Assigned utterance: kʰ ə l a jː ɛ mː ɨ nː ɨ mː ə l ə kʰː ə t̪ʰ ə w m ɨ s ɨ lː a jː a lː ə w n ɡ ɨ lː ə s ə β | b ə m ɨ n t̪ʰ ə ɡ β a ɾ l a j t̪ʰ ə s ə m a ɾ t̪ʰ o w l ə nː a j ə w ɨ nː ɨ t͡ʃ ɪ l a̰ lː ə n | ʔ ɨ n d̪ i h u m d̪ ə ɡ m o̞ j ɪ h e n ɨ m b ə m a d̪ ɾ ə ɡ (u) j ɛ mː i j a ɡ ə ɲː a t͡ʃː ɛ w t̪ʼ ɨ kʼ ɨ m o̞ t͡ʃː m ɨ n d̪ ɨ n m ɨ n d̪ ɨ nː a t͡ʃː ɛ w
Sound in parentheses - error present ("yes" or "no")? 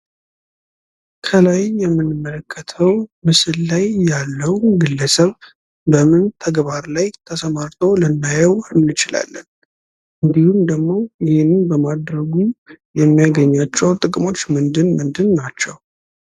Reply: no